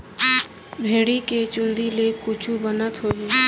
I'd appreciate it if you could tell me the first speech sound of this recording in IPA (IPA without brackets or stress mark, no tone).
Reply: bʱ